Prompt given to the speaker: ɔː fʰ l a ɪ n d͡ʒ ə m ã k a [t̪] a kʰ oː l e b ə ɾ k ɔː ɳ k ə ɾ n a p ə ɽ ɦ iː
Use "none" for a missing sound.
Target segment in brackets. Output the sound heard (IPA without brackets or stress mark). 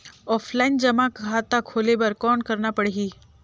t̪